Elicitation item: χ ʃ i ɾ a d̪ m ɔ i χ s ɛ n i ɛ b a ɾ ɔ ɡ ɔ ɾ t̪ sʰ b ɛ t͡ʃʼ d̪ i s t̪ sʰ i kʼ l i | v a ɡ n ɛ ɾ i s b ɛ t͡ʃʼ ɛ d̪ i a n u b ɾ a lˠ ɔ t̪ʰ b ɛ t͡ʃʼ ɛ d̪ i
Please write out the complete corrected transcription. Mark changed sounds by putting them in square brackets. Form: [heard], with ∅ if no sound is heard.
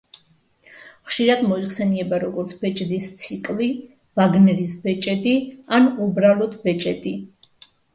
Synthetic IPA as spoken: χ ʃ i ɾ a d̪ m ɔ i χ s ɛ n i ɛ b a ɾ ɔ ɡ ɔ ɾ t̪ sʰ b ɛ t͡ʃʼ d̪ i s t̪ sʰ i kʼ l i | v a ɡ n ɛ ɾ i s b ɛ t͡ʃʼ ɛ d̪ i a n u b ɾ a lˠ ɔ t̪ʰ b ɛ t͡ʃʼ ɛ d̪ i